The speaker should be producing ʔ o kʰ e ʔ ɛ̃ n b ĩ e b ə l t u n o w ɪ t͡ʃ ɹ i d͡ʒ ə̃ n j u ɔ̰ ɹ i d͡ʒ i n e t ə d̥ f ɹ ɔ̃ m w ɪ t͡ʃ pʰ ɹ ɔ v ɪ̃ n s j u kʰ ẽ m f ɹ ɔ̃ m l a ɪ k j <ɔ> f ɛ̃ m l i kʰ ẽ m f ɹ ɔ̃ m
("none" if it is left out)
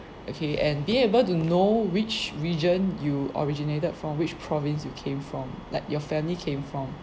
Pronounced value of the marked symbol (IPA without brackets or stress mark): ɔ